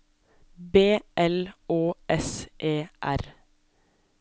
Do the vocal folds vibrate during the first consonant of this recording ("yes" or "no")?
yes